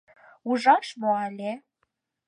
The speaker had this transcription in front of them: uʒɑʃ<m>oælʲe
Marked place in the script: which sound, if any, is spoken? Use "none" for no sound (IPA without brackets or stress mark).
m